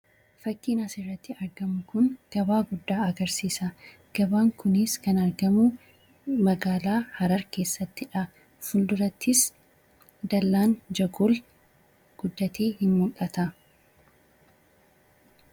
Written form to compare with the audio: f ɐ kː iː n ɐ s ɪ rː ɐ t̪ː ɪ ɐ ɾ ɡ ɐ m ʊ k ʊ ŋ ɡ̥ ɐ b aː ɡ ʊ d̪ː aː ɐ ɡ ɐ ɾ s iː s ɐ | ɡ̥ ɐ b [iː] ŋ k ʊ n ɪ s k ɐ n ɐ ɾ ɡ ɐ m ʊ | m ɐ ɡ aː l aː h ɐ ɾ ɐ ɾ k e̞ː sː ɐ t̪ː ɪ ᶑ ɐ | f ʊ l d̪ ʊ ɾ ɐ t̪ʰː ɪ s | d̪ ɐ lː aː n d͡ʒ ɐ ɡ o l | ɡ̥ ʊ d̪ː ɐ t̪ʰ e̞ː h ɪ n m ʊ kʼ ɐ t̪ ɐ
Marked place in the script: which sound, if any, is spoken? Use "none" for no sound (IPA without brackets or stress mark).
aː